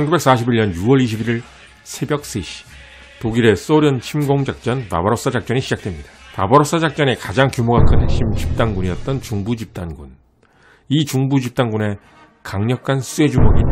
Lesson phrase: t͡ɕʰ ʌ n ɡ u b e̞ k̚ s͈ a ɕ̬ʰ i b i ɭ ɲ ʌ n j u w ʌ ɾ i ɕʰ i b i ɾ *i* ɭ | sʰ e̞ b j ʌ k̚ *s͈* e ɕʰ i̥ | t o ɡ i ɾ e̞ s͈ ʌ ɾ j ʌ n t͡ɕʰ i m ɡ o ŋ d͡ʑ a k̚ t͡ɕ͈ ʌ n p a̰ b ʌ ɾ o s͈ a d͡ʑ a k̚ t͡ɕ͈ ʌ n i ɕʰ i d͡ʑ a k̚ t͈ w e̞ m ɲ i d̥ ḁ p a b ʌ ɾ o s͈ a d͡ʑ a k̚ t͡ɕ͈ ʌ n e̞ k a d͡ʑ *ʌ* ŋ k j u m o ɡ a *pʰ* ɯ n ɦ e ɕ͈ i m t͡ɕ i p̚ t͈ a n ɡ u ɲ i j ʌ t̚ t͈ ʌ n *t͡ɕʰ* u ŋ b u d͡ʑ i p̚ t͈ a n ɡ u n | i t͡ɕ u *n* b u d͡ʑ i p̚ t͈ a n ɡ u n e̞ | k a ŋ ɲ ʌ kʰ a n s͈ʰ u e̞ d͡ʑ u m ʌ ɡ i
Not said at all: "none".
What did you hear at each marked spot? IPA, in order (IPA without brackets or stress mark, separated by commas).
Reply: i, s͈, a, kʰ, t͡ɕ, ŋ